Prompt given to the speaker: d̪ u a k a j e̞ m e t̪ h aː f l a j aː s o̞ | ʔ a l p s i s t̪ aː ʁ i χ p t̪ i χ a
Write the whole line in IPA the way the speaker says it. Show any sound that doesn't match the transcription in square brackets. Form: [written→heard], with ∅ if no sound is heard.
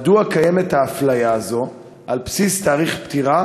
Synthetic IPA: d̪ u a k a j e̞ m e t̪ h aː f l a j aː [s→z] o̞ | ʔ a l p s i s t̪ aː ʁ i χ p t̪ i [χ→ʁ] a